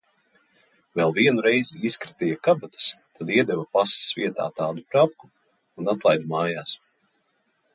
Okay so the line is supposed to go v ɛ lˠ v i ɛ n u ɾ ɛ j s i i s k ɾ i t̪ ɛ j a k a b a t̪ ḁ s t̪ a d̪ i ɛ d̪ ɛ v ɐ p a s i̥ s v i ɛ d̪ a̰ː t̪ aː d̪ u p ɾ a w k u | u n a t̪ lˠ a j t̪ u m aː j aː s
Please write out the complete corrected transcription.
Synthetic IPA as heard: v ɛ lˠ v i ɛ n u ɾ ɛ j z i i s k ɾ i t̪ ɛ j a k a b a t̪ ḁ s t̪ a d̪ i ɛ d̪ ɛ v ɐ p a s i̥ s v i ɛ t̪ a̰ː t̪ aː d̪ u p ɾ a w k u | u n a t̪ lˠ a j d̪ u m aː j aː s